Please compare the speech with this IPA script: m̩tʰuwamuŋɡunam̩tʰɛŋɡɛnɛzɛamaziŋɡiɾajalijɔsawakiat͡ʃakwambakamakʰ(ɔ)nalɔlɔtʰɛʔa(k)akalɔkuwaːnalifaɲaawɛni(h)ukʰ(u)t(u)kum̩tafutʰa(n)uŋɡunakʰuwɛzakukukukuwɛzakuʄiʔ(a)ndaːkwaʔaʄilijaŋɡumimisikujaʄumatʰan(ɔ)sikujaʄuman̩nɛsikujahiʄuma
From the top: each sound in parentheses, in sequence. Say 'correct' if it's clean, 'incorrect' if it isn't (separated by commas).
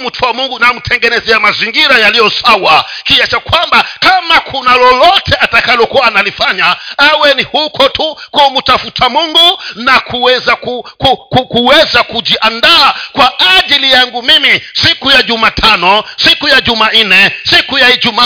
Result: incorrect, incorrect, correct, incorrect, correct, incorrect, correct, correct